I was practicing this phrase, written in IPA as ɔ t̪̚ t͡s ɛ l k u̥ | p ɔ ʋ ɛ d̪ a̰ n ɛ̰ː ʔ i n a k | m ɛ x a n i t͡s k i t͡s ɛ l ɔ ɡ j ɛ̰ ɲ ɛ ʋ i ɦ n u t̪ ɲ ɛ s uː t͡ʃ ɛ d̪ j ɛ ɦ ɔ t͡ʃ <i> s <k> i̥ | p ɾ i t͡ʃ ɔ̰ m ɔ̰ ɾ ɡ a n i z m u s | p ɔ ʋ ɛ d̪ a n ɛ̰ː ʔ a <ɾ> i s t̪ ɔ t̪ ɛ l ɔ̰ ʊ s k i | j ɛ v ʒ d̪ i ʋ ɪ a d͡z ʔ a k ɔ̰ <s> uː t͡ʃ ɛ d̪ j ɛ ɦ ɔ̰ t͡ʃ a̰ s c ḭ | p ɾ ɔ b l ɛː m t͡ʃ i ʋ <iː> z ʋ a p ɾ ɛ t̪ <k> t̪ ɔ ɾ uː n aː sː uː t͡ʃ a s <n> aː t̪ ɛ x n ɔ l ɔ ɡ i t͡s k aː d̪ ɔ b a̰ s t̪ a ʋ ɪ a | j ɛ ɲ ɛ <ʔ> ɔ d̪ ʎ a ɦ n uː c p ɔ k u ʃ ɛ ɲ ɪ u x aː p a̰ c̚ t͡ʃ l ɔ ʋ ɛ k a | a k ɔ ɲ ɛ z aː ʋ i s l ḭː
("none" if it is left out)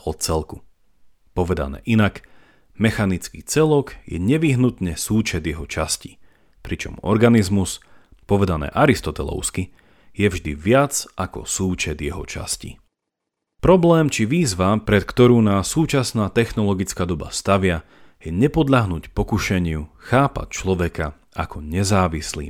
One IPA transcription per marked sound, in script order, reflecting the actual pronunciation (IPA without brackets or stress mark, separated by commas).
a, c, ɾ, s, iː, k, n, p